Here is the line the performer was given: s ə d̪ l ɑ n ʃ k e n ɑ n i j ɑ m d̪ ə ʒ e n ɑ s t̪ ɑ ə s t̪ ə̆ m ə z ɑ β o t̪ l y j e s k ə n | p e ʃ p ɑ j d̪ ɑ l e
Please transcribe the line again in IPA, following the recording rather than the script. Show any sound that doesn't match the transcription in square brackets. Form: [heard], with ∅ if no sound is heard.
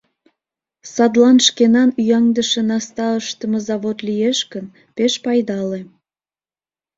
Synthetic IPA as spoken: s [ɑ] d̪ l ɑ n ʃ k e n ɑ n [y] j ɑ [ŋ] d̪ ə [ʃ] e n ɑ s t̪ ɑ ə [ʃ] t̪ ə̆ m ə z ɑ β o t̪ l [i] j e [ʃ] k ə n | p e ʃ p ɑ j d̪ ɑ l e